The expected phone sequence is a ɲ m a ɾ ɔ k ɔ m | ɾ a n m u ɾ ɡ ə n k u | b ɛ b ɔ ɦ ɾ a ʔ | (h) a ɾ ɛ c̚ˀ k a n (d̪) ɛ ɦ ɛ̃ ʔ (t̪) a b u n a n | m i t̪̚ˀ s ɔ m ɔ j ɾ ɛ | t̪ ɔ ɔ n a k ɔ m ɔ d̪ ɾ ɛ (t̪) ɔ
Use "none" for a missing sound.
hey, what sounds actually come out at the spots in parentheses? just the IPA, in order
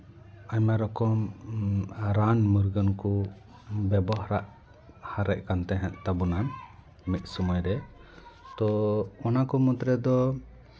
h, t̪, t̪, d̪

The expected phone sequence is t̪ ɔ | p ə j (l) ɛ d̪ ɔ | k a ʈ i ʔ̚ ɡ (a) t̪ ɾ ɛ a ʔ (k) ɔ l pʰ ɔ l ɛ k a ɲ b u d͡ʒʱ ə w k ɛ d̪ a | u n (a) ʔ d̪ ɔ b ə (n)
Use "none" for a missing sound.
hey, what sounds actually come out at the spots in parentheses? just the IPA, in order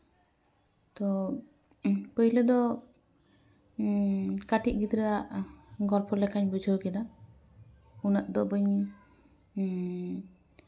l, i, ɡ, a, ɲ

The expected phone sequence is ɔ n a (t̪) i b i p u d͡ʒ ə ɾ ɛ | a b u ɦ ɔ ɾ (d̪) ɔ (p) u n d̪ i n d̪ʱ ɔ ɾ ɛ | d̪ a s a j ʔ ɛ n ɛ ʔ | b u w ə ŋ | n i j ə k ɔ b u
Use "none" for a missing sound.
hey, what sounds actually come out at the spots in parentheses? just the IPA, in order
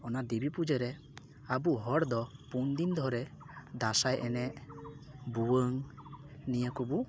d̪, d̪, p

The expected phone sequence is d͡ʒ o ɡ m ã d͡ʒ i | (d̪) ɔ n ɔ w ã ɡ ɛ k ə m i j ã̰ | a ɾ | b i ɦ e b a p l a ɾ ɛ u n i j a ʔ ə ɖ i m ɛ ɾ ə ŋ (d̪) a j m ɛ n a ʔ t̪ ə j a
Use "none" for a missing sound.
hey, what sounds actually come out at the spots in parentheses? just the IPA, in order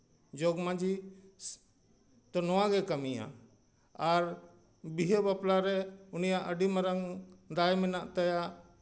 t̪, d̪

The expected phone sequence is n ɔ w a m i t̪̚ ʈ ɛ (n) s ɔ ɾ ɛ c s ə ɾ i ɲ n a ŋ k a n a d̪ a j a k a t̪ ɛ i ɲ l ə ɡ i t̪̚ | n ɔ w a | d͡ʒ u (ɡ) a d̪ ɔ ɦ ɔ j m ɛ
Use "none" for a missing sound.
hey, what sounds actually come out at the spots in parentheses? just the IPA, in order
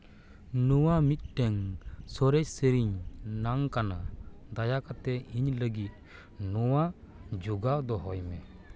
ŋ, ɡ

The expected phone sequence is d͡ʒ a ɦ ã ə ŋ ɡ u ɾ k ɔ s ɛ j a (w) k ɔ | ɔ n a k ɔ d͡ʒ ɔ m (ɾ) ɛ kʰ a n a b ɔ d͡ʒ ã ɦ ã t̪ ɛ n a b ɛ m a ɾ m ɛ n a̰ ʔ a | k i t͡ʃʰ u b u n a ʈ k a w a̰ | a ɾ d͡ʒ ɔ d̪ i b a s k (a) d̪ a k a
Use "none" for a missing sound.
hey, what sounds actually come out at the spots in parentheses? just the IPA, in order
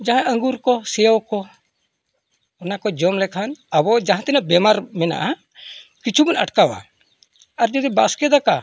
w, l, ɛ

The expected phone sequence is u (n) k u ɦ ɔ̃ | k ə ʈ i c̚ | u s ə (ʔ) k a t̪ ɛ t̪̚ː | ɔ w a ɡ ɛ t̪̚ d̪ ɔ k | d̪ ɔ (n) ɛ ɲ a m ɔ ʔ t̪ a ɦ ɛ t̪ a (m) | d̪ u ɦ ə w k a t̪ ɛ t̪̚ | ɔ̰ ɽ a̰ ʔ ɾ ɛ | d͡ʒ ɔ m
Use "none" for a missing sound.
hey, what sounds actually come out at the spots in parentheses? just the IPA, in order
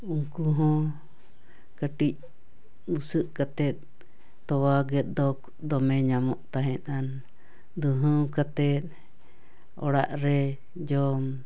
ŋ, ʔ, m, n

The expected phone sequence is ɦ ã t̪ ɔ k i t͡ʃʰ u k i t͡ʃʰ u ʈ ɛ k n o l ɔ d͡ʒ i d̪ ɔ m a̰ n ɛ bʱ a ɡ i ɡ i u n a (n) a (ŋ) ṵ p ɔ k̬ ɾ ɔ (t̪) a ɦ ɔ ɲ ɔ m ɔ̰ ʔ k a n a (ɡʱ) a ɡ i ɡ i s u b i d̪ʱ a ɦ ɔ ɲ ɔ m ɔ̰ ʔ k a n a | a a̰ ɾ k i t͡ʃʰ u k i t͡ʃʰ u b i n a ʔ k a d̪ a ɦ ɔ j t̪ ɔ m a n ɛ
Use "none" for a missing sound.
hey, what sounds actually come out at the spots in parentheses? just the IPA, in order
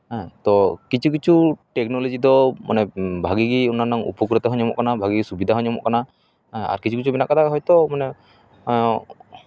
n, ŋ, t̪, bʱ

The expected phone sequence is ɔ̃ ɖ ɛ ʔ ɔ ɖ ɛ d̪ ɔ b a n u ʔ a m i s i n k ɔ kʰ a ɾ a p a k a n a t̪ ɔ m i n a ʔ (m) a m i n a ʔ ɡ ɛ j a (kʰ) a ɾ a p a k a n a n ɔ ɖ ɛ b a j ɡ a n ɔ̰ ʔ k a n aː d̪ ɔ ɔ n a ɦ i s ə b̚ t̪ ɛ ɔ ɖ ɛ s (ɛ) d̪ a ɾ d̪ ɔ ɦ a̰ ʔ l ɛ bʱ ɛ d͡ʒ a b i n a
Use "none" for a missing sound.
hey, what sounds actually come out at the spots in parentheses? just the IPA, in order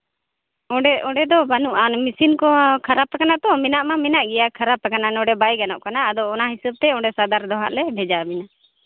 m, kʰ, a

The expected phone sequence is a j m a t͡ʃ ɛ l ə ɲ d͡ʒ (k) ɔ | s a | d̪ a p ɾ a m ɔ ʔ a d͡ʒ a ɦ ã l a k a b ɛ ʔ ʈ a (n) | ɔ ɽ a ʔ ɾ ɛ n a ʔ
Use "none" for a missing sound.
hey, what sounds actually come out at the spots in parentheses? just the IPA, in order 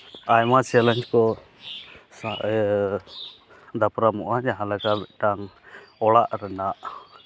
k, ŋ

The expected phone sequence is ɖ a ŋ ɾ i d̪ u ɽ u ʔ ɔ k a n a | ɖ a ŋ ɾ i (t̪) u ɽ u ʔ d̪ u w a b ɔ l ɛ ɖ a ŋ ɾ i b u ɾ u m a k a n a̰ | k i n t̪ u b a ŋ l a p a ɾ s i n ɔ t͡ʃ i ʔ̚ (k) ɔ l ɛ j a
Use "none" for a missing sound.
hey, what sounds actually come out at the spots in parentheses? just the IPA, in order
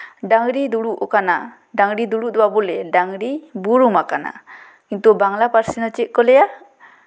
d̪, k

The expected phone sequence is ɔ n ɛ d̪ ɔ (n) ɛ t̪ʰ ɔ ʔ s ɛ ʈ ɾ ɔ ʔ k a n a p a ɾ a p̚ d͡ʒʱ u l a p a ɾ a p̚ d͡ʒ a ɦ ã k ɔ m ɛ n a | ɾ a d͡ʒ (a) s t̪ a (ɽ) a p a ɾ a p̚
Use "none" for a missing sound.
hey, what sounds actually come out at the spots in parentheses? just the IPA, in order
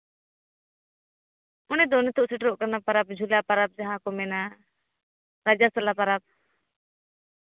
n, a, l

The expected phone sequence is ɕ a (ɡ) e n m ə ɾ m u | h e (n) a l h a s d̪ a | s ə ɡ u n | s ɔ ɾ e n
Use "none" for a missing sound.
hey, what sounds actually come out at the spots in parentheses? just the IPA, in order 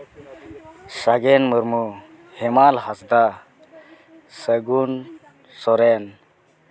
ɡ, m

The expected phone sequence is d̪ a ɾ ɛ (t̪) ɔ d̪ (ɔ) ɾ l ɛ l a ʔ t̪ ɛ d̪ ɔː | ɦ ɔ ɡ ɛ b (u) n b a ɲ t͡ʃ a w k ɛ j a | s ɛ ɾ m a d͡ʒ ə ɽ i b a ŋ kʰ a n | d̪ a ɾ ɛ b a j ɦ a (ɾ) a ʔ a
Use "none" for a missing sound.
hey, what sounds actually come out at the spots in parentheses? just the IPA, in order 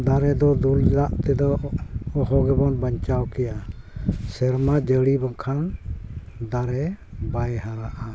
d̪, u, ɔ, ɾ

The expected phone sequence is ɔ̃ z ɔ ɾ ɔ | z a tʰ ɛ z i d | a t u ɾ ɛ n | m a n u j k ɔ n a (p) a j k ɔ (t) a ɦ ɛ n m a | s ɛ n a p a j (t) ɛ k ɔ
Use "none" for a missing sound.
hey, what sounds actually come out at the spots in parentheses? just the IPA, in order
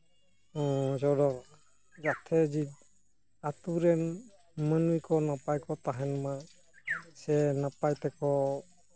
p, t, t

